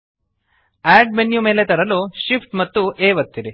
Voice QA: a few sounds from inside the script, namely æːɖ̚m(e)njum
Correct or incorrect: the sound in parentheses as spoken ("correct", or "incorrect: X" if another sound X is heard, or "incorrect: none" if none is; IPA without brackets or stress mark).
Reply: correct